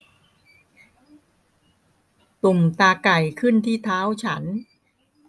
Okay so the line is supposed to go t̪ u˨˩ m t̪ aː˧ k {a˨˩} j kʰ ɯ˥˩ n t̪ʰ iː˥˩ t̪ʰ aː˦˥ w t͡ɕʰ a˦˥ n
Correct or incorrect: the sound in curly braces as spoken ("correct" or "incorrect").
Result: correct